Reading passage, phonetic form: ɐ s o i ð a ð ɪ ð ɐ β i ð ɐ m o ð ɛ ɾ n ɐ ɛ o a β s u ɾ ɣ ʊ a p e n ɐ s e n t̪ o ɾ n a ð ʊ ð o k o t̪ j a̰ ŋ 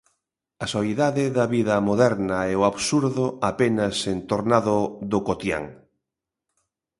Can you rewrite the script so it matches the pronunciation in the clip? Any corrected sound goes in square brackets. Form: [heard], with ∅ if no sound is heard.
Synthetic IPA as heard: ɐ s o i ð a ð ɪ ð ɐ β i ð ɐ m o ð ɛ ɾ n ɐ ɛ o a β s u ɾ [ð] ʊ a p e n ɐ s e n t̪ o ɾ n a ð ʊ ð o k o t̪ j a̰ ŋ